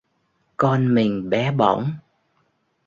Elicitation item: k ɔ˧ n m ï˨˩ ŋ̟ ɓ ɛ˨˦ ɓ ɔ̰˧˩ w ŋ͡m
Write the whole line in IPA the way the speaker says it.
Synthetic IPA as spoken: k ɔ˧ n m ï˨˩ ŋ̟ ɓ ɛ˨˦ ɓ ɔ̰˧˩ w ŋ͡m